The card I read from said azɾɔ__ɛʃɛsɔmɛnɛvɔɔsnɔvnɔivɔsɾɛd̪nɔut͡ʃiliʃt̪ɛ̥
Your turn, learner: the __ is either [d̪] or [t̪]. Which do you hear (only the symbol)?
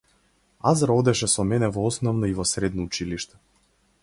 d̪